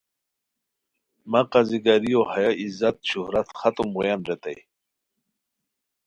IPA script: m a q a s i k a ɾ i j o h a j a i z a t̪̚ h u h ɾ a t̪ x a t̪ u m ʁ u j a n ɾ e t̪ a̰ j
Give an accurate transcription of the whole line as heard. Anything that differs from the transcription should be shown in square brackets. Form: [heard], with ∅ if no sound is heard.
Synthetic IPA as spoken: m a q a [z] i [ɡ] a ɾ i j o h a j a i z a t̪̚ [ɕ] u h ɾ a t̪ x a t̪ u m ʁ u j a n ɾ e t̪ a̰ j